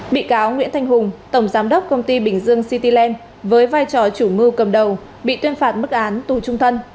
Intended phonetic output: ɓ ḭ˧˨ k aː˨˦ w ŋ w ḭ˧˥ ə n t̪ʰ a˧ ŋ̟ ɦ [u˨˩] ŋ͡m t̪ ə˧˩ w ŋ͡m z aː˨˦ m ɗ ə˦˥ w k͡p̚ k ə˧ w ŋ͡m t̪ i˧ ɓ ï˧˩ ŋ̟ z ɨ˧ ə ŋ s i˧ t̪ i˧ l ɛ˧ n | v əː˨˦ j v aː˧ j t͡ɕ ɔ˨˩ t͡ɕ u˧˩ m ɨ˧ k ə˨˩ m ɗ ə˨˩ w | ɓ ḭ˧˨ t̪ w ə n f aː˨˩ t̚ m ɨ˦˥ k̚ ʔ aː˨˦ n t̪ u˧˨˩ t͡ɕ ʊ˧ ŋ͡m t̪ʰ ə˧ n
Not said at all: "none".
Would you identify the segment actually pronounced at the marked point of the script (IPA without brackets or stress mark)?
ʊ˨˩